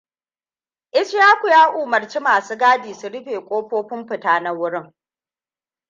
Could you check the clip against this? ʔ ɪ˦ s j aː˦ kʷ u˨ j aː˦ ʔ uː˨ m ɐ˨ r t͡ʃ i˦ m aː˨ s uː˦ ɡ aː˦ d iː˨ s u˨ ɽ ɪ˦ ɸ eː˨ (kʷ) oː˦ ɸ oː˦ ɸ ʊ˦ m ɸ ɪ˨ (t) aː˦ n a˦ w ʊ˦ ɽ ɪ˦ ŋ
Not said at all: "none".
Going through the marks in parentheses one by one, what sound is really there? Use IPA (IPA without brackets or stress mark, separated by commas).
kʷʼ, t